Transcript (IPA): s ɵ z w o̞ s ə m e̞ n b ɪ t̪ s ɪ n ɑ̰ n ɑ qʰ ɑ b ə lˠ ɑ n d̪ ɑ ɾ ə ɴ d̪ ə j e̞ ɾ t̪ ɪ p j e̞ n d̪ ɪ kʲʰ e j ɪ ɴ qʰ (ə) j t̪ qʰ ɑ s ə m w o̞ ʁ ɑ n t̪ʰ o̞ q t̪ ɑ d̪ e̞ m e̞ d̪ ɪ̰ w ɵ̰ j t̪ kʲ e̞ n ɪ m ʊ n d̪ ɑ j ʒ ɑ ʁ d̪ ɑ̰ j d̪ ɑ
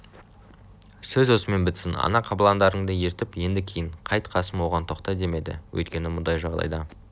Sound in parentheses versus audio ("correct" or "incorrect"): incorrect